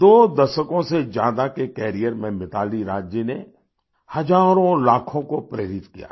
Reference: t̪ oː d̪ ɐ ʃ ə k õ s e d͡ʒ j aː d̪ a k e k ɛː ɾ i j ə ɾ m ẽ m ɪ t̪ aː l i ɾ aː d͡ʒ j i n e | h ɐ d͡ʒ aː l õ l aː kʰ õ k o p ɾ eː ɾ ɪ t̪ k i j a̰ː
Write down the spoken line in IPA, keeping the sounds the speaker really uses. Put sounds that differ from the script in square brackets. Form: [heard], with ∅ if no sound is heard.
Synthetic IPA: [d̪] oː d̪ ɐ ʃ ə k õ s e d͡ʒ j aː d̪ a k e k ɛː ɾ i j ə ɾ m ẽ m ɪ t̪ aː l i ɾ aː d͡ʒ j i n e | h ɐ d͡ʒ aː [ɾ] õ l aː kʰ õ k o p ɾ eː ɾ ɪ t̪ k i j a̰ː

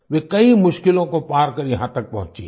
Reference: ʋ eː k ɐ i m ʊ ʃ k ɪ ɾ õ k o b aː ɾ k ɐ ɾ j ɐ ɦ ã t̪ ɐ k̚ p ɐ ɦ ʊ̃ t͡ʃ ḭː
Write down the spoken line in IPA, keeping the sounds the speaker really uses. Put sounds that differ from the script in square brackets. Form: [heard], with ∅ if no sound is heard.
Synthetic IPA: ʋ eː k ɐ i m ʊ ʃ k ɪ [l] õ k o [p] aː ɾ k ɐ ɾ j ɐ ɦ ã t̪ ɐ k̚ p ɐ ɦ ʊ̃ t͡ʃ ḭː

